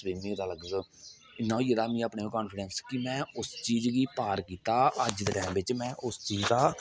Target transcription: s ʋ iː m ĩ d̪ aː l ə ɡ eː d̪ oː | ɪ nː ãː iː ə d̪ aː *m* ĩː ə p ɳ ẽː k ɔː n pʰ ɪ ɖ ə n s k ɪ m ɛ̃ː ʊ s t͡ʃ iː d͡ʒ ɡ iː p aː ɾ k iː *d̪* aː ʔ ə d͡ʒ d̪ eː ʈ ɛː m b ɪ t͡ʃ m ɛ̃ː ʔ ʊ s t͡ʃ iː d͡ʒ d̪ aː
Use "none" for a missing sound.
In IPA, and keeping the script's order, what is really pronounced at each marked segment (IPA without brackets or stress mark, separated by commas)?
m, t̪